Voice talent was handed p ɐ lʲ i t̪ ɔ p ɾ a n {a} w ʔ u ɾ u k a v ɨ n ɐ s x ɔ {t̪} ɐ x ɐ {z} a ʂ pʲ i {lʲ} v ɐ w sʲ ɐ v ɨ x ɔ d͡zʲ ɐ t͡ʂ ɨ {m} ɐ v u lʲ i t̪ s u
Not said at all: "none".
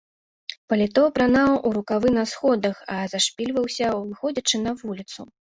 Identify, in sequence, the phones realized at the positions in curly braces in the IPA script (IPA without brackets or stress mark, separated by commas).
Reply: a, d̪, z, lʲ, n